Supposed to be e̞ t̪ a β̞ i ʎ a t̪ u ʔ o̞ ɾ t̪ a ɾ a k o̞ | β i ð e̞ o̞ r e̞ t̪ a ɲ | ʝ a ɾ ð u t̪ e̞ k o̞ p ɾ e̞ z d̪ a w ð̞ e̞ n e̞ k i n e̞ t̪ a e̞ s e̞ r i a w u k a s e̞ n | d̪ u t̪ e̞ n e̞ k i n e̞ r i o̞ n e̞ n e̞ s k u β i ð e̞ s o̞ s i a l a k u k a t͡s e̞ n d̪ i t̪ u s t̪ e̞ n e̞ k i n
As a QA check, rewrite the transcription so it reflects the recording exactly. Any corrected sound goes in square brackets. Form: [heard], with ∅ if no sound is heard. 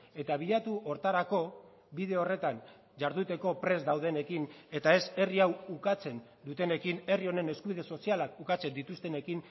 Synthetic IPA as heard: e̞ t̪ a β̞ i ʎ a t̪ u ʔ o̞ ɾ t̪ a ɾ a k o̞ | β i ð e̞ o̞ r e̞ t̪ a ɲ | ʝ a ɾ ð u t̪ e̞ k o̞ p ɾ e̞ z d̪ a w ð̞ e̞ n e̞ k i n e̞ t̪ a e̞ s e̞ r i a w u k a [t͡s] e̞ n | d̪ u t̪ e̞ n e̞ k i n e̞ r i o̞ n e̞ n e̞ s k u β i ð e̞ s o̞ s i a l a k u k a t͡s e̞ n d̪ i t̪ u s t̪ e̞ n e̞ k i n